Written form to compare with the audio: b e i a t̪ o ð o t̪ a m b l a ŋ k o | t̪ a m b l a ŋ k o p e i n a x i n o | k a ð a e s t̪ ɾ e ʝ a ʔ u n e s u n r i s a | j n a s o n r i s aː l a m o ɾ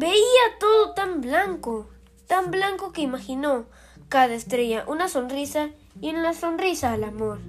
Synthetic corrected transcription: b e i a t̪ o ð o t̪ a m b l a ŋ k o | t̪ a m b l a ŋ k o k e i m a x i n o | k a ð a e s t̪ ɾ e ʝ a ʔ u n a s o n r i s a | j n a s o n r i s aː l a m o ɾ